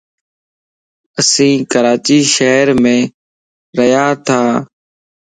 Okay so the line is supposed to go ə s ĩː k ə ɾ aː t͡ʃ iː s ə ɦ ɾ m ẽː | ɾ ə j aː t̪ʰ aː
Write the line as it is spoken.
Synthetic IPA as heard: ə s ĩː k ə ɾ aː t͡ʃ iː ʃ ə ɦ ɾ m ẽː | ɾ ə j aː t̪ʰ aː